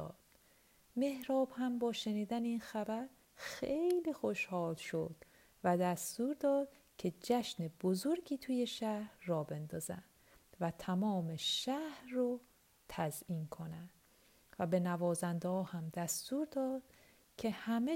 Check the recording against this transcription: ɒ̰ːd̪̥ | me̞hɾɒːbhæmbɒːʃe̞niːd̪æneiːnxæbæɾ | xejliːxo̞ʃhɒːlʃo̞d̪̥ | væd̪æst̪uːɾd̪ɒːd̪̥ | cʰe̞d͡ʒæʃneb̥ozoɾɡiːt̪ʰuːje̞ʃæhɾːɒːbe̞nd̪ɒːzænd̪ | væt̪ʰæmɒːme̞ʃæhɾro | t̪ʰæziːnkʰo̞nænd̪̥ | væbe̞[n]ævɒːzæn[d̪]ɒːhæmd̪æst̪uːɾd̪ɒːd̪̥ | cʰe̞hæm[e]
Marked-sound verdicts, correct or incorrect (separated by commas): correct, correct, correct